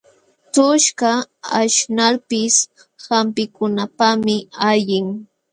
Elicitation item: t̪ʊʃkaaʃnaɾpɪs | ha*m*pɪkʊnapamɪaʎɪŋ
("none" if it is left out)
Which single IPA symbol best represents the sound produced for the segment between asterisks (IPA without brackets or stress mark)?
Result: m